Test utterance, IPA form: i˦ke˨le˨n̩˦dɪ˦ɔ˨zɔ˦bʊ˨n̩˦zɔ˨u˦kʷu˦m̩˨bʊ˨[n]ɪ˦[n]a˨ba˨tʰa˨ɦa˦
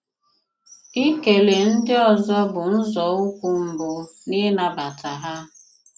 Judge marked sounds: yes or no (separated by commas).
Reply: yes, yes